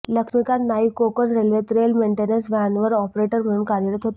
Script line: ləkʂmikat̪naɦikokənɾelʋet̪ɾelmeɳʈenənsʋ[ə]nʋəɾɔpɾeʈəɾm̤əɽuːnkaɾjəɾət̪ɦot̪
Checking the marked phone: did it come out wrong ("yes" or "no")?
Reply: yes